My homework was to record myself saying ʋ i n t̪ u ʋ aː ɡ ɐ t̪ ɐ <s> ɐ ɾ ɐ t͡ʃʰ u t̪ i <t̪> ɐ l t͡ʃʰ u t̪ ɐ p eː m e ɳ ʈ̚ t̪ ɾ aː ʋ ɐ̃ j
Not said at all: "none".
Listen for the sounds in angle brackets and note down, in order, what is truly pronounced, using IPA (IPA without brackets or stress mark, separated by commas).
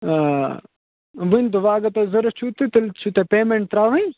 z, t̪